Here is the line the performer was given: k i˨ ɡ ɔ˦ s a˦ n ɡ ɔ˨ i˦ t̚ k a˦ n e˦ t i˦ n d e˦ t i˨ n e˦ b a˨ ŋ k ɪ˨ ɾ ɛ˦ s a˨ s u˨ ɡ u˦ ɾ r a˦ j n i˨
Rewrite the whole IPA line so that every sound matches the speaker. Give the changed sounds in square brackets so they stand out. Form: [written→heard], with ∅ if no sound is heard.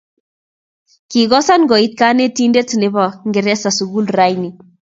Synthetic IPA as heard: k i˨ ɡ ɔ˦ s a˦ n ɡ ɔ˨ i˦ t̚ k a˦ n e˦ t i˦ n d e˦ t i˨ n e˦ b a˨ ŋ [k→ɡ] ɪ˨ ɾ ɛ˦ s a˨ s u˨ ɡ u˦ [ɾ→l] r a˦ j n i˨